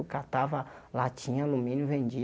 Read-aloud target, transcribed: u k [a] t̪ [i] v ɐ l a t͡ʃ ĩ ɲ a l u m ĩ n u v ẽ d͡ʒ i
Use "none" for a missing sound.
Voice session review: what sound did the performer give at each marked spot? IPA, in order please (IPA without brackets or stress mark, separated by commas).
a, a